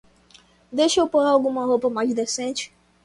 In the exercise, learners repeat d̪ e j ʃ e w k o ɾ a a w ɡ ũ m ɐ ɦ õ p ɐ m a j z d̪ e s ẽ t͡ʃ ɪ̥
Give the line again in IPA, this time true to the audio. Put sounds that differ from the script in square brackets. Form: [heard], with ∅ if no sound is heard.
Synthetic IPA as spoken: d̪ e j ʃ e w [p] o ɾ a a w ɡ ũ m ɐ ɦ [o] p ɐ m a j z d̪ e s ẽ t͡ʃ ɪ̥